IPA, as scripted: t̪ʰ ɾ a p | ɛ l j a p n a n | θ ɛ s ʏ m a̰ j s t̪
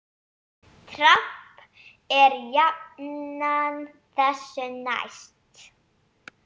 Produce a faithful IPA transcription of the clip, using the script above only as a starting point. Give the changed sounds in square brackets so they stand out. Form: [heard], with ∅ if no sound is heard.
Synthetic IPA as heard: t̪ʰ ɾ a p | ɛ [ɾ] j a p n a n | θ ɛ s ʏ [n] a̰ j s t̪